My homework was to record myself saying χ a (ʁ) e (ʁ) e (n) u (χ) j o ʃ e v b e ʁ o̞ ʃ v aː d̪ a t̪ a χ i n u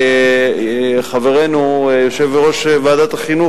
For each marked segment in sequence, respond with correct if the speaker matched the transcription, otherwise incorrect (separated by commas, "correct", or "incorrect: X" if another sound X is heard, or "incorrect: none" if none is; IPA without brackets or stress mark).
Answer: incorrect: v, correct, correct, incorrect: none